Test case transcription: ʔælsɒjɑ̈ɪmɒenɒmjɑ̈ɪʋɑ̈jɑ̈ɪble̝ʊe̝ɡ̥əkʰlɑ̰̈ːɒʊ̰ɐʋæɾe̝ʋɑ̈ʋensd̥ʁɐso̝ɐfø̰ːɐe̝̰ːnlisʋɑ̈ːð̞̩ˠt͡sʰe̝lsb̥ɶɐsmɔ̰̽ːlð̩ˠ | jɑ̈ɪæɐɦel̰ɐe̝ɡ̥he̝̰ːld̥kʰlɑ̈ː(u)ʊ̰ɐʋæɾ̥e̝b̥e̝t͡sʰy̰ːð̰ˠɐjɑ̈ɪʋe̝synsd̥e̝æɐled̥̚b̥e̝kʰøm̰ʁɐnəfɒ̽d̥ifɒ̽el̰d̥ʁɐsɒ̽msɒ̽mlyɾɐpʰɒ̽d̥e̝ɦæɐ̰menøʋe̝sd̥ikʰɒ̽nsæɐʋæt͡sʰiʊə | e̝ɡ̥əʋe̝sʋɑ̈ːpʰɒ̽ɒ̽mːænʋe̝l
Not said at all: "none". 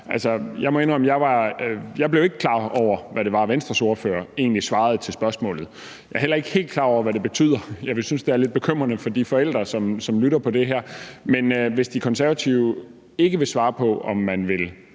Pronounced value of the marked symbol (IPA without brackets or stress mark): ɒ